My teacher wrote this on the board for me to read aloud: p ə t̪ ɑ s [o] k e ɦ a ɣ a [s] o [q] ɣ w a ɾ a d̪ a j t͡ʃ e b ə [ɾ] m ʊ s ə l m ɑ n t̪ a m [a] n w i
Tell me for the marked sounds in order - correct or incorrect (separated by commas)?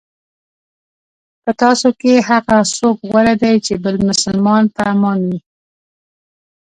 correct, correct, incorrect, incorrect, incorrect